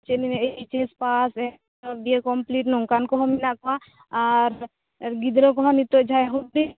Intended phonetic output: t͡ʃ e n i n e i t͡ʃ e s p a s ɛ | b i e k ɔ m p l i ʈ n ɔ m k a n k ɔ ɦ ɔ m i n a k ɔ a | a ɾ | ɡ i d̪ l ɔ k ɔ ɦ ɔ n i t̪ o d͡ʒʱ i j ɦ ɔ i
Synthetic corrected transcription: t͡ʃ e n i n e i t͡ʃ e s p a s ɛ | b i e k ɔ m p l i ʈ n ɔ ŋ k a n k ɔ ɦ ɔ m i n a k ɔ a | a ɾ | ɡ i d̪ ɾ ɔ k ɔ ɦ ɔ n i t̪ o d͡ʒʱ a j ɦ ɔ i